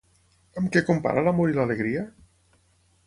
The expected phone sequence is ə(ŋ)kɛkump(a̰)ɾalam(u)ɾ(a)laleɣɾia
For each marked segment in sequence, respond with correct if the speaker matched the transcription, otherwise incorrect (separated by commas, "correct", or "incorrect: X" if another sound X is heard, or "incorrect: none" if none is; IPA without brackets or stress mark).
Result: incorrect: m, correct, incorrect: o, incorrect: i